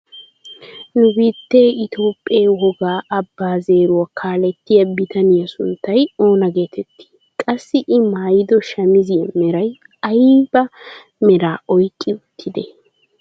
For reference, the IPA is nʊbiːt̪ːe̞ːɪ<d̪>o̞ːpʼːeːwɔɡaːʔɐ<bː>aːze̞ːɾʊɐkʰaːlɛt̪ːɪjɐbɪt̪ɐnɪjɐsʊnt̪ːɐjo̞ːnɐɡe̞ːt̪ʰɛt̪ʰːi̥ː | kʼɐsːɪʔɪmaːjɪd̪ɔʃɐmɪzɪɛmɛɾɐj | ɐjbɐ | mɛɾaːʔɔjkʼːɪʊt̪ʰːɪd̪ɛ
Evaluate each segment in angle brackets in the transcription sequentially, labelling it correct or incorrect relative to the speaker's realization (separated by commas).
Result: incorrect, correct